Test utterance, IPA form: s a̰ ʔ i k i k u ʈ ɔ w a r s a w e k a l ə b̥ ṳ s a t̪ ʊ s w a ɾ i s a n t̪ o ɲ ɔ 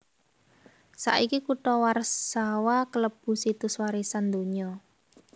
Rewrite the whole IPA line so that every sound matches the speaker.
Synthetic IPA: s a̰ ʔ i k i k u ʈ ɔ w a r s a w a k ə l ə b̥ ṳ s i t̪ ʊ s w a ɾ i s a n d̪ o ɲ ɔ

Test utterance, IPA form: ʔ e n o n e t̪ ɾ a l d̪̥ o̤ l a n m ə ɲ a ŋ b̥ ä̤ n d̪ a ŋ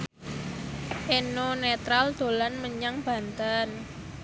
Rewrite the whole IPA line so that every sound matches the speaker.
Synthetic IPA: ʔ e n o n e t̪ ɾ a l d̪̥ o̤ l a n m ə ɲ a ŋ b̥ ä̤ n t̪ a n

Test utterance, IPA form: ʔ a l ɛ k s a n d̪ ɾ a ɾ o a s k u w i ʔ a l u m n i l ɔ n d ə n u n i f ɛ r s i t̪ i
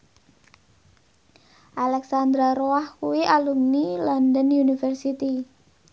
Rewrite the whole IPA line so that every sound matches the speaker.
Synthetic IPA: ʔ a l ɛ k s a n d̪ ɾ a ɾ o a h k u w i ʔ a l u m n i l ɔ n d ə n u n i f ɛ r s i t̪ i

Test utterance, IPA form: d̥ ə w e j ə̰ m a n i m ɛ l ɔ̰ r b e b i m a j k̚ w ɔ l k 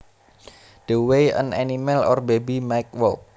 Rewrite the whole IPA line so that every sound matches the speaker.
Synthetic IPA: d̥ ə w e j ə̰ n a n i m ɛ l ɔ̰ r b e b i m a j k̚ w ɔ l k

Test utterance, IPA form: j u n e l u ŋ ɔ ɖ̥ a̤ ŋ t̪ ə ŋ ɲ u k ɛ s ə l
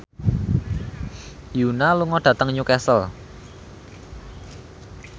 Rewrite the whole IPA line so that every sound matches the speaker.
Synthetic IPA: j u n a l u ŋ ɔ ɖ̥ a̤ t̪ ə ŋ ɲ u k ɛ s ə l

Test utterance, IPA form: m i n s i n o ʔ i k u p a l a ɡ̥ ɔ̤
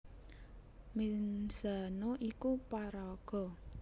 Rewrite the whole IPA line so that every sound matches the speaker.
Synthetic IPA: m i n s a n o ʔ i k u p a ɾ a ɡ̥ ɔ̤

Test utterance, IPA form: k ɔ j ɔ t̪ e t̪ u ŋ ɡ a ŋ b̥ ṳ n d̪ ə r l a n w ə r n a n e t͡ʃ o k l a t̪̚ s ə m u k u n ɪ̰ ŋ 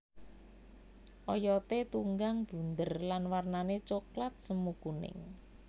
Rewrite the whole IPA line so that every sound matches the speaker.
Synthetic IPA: ʔ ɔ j ɔ t̪ e t̪ u ŋ ɡ a ŋ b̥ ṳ n d̪ ə r l a n w a r n a n e t͡ʃ o k l a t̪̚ s ə m u k u n ɪ̰ ŋ

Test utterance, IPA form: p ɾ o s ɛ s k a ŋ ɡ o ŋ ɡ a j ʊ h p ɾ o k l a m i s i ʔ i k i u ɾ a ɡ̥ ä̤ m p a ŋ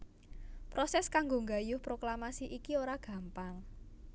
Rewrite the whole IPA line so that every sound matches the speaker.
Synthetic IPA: p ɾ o s ɛ s k a ŋ ɡ o ŋ ɡ a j ʊ h p ɾ o k l a m a s i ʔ i k i o ɾ a ɡ̥ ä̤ m p a ŋ

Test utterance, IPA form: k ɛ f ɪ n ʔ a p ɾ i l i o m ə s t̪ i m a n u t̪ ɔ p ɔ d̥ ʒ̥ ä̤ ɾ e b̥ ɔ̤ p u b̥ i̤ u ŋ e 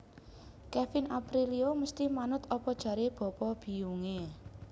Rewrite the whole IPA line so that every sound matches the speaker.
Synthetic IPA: k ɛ f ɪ n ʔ a p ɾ i l i o m ə s t̪ i m a n ʊ t̪ ɔ p ɔ d̥ ʒ̥ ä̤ ɾ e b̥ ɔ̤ p ɔ b̥ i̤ u ŋ e

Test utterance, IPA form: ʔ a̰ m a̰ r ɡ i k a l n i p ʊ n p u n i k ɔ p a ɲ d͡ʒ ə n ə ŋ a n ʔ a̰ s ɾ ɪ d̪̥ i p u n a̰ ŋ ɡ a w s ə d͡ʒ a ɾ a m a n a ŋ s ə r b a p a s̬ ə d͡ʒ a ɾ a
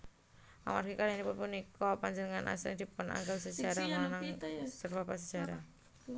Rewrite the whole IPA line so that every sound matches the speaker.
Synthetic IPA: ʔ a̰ m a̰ r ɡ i k a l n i p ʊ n p u n i k ɔ p a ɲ d͡ʒ ə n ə ŋ a n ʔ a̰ s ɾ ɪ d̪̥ i p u n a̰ ŋ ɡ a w s ə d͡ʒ a ɾ a m a n a ŋ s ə r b a p a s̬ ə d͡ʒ a ɾ a

